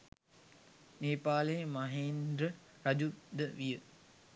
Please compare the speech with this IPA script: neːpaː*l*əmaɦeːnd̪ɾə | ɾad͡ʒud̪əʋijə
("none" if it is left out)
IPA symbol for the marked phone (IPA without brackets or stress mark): l